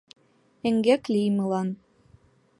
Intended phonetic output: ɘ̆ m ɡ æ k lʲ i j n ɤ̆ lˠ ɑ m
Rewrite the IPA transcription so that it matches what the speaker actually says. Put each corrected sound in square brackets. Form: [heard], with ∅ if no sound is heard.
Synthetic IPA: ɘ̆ [ŋ] ɡ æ k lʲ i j [m] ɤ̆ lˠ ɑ [n]